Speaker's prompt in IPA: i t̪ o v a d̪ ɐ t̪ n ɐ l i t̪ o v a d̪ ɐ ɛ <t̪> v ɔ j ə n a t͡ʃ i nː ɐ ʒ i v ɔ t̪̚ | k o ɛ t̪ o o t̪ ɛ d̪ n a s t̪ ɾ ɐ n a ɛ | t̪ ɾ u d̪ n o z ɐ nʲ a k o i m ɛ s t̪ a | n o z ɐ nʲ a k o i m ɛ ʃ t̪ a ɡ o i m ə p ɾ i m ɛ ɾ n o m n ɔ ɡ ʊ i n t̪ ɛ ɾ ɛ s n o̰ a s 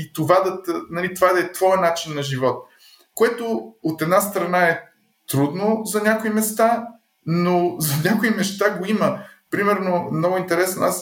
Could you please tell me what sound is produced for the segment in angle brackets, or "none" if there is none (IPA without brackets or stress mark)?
t̪